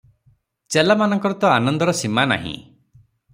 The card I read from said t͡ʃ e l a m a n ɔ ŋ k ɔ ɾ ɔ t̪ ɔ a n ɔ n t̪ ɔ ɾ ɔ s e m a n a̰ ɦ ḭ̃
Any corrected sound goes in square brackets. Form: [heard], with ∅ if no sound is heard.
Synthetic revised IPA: t͡ʃ e l a m a n ɔ ŋ k ɔ ɾ ɔ t̪ ɔ a n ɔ n [d̪] ɔ ɾ ɔ s [i] m a n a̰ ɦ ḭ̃